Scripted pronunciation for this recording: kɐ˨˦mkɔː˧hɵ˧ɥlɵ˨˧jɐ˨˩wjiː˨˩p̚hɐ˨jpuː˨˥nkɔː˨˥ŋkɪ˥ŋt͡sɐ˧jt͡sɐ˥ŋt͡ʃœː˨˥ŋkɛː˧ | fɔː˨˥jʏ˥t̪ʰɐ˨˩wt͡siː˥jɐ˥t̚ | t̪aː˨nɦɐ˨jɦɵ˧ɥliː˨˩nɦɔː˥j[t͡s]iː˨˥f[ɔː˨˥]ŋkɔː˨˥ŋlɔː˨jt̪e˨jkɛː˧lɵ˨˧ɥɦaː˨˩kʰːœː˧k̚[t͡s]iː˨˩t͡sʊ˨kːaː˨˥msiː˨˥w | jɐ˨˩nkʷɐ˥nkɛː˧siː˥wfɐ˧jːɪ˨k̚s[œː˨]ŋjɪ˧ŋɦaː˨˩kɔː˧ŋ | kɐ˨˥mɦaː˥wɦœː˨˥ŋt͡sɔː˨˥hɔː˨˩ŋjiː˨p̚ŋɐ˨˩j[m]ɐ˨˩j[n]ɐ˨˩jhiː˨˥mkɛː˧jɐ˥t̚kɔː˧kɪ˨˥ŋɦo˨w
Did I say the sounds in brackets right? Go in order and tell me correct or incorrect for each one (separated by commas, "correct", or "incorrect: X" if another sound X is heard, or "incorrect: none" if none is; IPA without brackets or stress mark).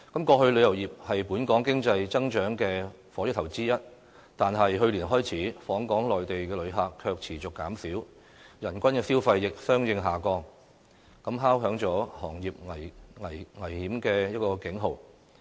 incorrect: t͡sʰ, correct, incorrect: t͡sʰ, incorrect: œː˥, incorrect: ŋ, incorrect: ŋ